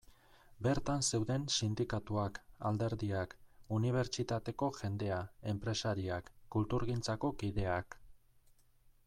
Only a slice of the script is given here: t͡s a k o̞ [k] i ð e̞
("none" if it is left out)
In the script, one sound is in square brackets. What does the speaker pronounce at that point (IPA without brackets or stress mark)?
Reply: k